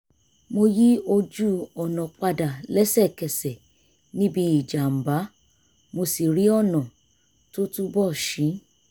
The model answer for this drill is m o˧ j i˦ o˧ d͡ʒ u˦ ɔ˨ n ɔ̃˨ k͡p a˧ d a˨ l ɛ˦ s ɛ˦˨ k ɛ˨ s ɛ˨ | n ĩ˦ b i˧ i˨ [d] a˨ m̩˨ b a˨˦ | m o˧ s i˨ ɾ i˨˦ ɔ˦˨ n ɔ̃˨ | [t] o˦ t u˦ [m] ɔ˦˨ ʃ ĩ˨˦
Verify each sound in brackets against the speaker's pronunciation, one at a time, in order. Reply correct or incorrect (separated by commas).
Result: incorrect, correct, incorrect